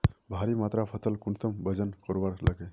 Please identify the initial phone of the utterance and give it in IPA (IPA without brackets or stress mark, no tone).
bʱ